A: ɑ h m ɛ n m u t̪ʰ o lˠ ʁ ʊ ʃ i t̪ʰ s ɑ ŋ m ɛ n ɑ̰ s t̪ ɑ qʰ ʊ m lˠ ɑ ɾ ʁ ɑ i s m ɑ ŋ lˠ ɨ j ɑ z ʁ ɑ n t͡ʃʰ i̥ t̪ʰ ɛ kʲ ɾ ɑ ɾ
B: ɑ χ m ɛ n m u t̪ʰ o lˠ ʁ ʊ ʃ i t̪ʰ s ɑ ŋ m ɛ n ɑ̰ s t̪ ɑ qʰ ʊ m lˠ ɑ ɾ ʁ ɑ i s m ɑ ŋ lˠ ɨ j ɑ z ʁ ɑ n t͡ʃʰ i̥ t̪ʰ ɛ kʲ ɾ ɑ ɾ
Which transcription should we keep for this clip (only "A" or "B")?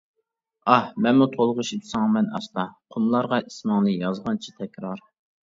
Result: A